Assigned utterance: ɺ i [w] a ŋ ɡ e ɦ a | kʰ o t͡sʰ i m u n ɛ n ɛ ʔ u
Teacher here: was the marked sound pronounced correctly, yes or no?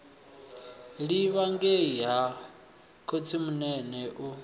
no